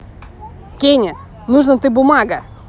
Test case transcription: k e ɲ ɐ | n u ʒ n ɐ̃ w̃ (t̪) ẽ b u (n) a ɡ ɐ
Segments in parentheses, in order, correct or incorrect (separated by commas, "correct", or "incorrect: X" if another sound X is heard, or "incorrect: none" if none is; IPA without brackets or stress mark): correct, incorrect: m